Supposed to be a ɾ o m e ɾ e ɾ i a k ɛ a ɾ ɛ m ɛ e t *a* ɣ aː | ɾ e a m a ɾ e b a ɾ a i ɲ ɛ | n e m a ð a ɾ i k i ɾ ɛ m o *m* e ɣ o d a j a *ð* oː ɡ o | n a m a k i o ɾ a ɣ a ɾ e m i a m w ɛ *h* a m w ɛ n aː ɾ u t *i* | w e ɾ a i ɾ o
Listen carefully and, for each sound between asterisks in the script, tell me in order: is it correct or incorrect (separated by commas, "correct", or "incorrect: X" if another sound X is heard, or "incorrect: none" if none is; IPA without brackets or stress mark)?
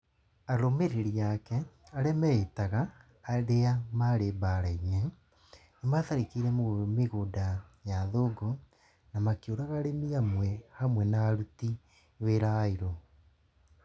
correct, correct, correct, correct, correct